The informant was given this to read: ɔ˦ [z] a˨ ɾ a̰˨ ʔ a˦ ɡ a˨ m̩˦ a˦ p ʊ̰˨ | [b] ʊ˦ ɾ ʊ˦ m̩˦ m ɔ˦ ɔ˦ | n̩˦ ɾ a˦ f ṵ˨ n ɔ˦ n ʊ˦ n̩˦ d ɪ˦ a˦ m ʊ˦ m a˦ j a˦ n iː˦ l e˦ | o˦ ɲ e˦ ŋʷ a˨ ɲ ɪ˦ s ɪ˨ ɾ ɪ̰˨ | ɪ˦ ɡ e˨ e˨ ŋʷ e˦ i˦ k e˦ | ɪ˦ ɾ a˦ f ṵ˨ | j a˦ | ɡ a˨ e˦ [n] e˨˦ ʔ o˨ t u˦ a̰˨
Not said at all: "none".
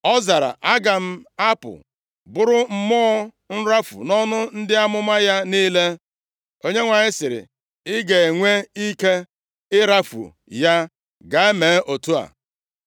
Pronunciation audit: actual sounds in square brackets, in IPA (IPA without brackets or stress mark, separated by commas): z, b, m